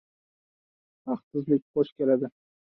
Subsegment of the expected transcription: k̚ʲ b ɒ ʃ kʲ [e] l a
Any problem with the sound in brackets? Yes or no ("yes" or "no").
no